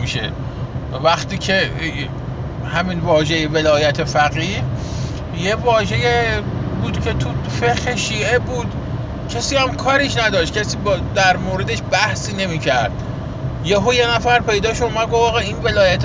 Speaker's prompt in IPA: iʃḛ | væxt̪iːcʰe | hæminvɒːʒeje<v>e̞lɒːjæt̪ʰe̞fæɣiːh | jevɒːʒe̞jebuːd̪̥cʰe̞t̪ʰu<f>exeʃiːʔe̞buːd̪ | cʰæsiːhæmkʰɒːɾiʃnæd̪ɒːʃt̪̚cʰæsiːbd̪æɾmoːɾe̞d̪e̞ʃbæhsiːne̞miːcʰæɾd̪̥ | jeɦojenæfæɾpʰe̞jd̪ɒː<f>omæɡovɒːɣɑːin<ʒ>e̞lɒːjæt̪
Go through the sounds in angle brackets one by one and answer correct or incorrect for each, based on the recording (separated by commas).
correct, correct, incorrect, incorrect